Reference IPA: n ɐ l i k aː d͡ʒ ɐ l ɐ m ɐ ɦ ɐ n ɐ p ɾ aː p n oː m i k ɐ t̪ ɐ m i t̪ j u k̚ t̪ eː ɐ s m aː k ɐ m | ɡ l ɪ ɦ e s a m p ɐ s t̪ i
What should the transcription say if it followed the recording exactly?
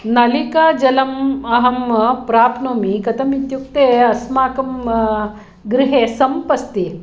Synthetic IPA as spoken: n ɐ l i k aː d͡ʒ ɐ l ɐ m ɐ ɦ ɐ m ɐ p ɾ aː p n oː m i k ɐ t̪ ɐ m i t̪ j u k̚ t̪ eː ɐ s m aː k ɐ m | ɡ ɾ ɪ ɦ e s ɐ m p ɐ s t̪ i